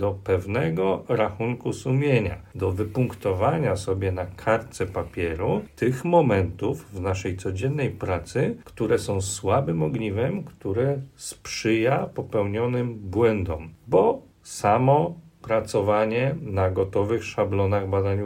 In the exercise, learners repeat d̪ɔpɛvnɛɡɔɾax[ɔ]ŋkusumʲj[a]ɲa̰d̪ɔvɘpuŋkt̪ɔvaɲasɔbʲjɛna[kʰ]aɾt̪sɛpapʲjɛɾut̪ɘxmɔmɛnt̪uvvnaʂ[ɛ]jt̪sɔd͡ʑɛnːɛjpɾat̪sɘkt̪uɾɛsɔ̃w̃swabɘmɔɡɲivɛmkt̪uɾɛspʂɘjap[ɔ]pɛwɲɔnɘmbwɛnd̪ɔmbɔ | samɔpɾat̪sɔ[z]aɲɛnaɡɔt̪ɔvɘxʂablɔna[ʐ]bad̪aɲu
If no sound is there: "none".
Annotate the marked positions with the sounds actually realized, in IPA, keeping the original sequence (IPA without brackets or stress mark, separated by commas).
u, e, kʰ, ɛ, ɔ, v, ɣ